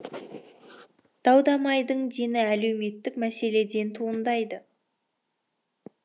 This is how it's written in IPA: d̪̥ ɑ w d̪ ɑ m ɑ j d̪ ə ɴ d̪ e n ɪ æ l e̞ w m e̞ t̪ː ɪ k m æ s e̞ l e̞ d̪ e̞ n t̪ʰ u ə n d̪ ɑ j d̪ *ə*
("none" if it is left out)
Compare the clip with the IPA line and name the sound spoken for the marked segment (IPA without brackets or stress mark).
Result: ə